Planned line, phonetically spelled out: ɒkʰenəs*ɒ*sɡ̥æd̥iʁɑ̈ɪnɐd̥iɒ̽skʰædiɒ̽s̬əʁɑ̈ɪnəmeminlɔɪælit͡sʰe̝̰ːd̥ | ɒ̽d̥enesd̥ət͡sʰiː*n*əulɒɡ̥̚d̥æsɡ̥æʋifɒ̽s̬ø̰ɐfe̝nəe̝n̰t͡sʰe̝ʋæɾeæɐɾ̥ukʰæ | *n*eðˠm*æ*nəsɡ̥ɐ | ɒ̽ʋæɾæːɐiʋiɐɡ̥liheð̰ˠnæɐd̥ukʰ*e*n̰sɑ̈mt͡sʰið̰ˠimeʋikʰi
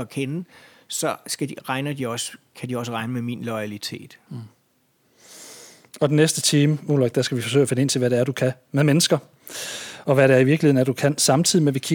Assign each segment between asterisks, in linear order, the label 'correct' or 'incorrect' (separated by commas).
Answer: correct, incorrect, incorrect, incorrect, incorrect